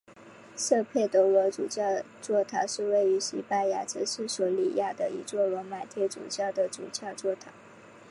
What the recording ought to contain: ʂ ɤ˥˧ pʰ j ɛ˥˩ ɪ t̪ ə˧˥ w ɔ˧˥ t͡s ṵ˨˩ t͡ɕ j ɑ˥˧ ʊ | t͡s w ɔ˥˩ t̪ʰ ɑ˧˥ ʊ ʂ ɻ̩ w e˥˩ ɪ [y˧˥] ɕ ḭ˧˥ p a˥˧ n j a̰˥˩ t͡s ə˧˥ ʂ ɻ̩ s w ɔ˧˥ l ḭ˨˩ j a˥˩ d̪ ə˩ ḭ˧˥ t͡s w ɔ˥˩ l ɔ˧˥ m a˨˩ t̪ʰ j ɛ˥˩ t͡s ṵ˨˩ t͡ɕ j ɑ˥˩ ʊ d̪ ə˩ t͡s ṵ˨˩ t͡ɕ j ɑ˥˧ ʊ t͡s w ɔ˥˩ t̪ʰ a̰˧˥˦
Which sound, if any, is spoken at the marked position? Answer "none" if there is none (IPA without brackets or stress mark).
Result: y˧˥